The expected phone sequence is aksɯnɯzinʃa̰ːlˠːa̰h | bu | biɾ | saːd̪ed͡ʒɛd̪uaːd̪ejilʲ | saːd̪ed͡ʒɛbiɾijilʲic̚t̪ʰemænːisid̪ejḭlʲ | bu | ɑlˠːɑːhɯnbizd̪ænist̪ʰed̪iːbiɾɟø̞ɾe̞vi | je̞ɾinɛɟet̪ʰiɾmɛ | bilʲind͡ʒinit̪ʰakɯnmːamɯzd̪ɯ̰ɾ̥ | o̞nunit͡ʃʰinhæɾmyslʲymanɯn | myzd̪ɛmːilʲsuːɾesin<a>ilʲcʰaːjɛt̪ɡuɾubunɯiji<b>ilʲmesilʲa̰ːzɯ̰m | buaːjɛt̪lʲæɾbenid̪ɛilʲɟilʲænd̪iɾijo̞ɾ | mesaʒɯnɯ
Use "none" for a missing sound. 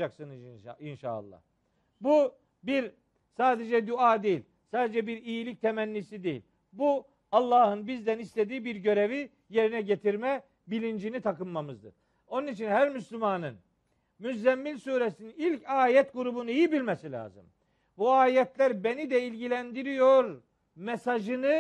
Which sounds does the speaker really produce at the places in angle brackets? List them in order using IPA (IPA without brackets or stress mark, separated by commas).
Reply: i, b